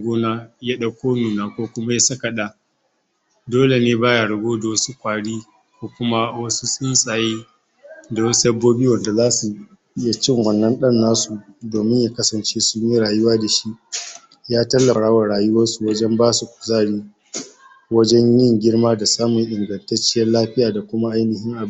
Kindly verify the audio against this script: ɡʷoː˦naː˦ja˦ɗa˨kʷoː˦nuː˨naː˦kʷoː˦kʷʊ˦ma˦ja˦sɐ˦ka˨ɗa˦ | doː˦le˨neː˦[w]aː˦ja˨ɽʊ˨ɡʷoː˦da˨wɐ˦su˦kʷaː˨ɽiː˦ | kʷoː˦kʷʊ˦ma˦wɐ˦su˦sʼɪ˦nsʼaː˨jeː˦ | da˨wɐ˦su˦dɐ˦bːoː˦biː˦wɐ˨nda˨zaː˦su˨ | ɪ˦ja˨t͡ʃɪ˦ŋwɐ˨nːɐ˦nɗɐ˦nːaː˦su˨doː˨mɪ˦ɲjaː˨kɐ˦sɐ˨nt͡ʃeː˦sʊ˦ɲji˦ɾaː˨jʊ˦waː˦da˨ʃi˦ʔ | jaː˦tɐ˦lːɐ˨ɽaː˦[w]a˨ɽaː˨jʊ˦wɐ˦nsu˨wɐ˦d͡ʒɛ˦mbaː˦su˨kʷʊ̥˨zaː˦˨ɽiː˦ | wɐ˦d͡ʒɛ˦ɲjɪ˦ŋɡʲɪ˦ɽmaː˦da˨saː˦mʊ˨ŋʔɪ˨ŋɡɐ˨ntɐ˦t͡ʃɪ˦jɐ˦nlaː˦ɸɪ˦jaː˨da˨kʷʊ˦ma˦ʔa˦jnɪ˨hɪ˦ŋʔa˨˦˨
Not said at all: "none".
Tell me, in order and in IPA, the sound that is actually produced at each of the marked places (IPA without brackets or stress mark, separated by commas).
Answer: b, w